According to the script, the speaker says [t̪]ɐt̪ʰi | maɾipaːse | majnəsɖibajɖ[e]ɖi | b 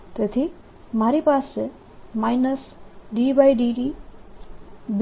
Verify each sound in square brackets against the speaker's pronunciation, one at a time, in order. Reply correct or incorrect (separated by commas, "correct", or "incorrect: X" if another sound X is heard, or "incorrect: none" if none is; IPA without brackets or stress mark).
correct, incorrect: i